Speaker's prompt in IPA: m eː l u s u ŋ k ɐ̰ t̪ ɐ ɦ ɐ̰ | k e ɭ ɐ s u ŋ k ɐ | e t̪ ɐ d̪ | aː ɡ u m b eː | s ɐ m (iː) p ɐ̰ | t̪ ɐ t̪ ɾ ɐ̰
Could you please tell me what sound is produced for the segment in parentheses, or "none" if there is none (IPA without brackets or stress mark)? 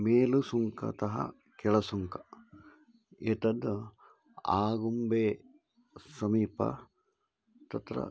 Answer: iː